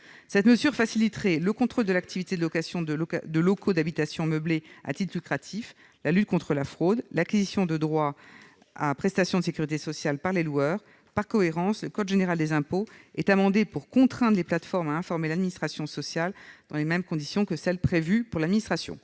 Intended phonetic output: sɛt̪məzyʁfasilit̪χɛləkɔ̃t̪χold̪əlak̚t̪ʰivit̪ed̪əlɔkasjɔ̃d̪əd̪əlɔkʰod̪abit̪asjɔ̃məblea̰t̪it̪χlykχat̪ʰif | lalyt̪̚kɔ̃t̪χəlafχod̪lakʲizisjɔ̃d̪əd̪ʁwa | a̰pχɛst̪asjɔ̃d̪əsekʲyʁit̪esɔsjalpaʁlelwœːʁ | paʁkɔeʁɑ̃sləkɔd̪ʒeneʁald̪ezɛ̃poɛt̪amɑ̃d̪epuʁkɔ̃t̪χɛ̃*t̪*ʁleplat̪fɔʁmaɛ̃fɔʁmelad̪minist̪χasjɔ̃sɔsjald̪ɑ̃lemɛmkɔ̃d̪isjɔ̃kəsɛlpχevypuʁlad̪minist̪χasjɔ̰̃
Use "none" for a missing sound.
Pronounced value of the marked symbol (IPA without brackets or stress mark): d̪